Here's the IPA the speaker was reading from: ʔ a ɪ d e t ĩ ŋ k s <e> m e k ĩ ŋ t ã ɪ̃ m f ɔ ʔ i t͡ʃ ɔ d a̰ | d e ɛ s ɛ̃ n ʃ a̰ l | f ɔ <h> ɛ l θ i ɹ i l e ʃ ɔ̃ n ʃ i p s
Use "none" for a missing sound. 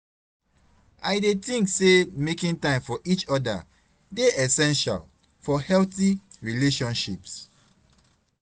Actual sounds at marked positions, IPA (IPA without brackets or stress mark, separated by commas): e, h